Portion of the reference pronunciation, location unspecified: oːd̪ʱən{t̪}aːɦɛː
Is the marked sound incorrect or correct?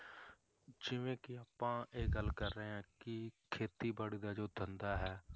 incorrect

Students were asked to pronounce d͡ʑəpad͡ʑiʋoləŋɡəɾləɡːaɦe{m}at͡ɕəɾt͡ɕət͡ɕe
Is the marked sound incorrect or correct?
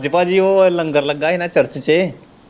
incorrect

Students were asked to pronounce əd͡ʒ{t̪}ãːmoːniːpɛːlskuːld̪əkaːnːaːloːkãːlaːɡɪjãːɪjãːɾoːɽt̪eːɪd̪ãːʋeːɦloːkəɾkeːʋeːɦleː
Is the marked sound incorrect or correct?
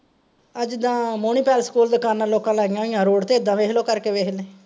incorrect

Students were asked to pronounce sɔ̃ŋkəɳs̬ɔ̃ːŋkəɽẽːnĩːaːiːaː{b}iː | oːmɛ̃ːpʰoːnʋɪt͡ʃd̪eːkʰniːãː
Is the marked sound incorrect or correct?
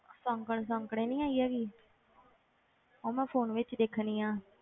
incorrect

